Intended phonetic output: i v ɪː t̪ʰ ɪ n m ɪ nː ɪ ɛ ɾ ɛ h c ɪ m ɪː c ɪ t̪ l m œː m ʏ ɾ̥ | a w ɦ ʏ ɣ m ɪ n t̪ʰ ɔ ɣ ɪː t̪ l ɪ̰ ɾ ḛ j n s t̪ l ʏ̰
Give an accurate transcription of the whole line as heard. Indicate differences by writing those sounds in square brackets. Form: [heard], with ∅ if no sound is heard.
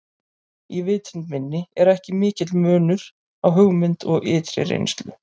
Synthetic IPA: i v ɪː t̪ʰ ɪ n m ɪ nː ɪ ɛ ɾ ɛ h c ɪ m ɪː c ɪ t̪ l m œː [n] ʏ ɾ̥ | a w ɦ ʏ ɣ m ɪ n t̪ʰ ɔ ɣ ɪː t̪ [ɾ] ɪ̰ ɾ ḛ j n s t̪ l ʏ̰